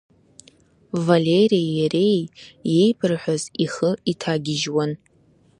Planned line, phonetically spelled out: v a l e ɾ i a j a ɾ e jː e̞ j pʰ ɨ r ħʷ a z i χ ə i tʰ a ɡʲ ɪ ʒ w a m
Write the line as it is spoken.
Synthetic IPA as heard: v a l e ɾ i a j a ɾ e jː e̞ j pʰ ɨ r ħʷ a z i χ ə i tʰ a ɡʲ ɪ ʒ w a n